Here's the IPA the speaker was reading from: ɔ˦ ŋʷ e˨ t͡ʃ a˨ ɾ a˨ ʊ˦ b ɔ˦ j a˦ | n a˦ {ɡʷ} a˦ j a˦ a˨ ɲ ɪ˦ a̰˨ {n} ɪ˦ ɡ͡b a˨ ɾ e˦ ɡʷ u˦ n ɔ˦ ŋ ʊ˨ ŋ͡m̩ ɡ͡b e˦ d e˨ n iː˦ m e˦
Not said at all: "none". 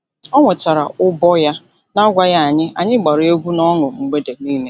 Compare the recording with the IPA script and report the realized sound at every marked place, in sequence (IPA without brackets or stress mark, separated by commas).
ɡʷ, ɲ